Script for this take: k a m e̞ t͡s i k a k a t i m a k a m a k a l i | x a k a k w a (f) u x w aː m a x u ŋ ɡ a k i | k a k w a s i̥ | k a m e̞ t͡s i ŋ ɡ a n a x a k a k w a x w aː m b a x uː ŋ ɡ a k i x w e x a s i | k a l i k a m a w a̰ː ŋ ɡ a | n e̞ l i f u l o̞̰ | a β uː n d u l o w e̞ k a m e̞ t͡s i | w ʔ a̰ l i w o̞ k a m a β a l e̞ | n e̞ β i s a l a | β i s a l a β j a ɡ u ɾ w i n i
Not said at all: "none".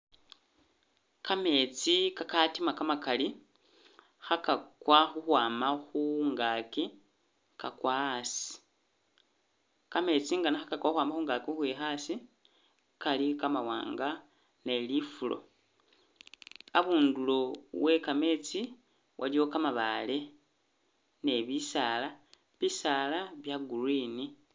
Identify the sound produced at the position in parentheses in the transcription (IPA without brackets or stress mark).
x